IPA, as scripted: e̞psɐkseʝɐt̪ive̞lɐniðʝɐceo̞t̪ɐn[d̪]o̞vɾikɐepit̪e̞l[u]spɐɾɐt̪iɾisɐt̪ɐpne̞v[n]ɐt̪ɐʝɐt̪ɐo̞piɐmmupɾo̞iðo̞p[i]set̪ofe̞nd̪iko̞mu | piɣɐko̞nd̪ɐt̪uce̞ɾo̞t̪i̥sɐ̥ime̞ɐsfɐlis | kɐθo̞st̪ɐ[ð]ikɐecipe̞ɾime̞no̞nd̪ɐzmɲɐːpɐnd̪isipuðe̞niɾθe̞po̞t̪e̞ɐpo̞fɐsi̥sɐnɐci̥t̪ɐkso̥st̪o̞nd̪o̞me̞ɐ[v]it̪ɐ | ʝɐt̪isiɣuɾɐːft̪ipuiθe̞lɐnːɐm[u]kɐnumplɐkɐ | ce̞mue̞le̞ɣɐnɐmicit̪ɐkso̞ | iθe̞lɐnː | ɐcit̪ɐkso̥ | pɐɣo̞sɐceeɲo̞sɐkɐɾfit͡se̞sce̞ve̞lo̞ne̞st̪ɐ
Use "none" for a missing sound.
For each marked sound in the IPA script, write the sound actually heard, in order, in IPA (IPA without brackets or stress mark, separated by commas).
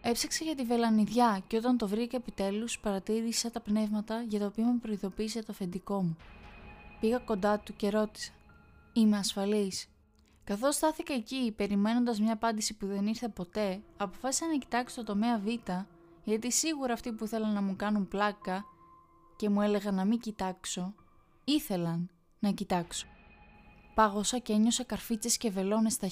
t̪, u, m, iː, θ, v, u